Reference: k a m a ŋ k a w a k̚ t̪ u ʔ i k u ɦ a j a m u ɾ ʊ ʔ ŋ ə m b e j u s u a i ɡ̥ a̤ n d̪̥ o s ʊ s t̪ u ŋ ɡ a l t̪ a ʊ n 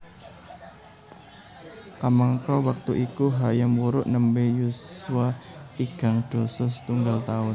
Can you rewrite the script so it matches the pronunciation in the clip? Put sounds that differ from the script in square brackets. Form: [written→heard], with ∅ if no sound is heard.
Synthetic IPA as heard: k a m a ŋ k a w a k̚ t̪ u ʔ i k u ɦ a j a m u ɾ ʊ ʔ [ŋ→n] ə m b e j u s u a i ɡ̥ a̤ [n→ŋ] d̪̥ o s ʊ s t̪ u ŋ ɡ a l t̪ a ʊ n